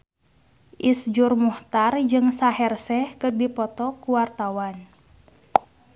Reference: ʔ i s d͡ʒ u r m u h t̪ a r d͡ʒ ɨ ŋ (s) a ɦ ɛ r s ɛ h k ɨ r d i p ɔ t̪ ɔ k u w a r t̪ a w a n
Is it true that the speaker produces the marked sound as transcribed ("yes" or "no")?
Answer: yes